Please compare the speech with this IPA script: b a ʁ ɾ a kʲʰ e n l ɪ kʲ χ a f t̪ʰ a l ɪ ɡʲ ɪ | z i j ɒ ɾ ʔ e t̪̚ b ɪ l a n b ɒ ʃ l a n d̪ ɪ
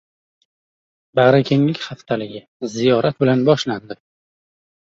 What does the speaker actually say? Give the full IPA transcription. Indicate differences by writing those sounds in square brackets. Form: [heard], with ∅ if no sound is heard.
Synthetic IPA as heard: b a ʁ ɾ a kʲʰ e [ŋ] l ɪ kʲ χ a f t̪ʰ a l ɪ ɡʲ ɪ | z i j ɒ ɾ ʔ [a] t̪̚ b ɪ l a n b ɒ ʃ l a n d̪ ɪ